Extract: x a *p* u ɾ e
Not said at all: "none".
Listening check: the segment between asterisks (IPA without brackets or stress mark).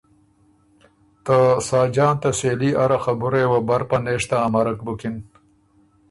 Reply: b